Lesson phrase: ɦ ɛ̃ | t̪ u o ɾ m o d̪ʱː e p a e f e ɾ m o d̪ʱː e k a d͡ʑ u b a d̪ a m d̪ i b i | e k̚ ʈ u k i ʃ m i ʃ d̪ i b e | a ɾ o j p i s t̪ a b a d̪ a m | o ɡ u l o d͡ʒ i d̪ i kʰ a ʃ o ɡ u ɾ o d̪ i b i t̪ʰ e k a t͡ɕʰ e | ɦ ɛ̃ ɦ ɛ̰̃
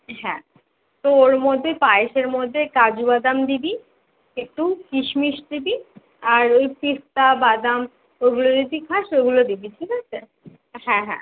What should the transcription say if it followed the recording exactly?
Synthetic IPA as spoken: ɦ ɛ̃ | t̪ o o ɾ m o d̪ʱː e p a e ʃ e ɾ m o d̪ʱː e k a d͡ʑ u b a d̪ a m d̪ i b i | e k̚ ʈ u k i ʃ m i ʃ d̪ i b i | a ɾ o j p i s t̪ a b a d̪ a m | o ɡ u l o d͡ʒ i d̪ i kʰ a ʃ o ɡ u l o d̪ i b i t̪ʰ i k a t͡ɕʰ e | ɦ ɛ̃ ɦ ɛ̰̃